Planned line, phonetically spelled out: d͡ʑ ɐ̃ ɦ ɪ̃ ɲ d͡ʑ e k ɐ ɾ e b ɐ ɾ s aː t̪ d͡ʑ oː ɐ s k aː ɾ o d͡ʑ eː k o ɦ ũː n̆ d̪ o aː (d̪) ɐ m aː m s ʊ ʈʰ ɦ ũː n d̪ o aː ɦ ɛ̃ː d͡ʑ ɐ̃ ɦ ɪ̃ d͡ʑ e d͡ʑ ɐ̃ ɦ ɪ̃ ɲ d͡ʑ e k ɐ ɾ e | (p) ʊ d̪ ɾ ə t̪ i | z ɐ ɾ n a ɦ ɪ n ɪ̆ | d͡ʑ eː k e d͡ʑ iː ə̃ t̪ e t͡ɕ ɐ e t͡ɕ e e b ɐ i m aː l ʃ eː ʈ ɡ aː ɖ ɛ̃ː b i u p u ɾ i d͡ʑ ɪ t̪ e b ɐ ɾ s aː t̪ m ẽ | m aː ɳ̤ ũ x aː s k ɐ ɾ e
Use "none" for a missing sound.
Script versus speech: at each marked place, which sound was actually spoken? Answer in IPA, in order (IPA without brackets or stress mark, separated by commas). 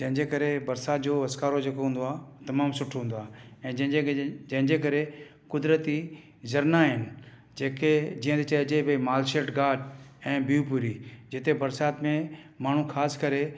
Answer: t̪, k